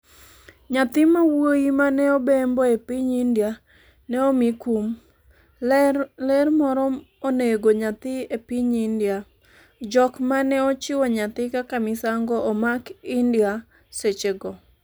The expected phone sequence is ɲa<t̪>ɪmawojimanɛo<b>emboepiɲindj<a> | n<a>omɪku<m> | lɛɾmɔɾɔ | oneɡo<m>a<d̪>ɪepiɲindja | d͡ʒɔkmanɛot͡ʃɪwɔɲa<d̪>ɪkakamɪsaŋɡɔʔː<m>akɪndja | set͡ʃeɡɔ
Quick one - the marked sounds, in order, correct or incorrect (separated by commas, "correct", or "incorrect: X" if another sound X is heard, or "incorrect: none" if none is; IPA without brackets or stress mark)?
correct, correct, correct, incorrect: ɛ, correct, incorrect: ɲ, incorrect: t̪, incorrect: t̪, correct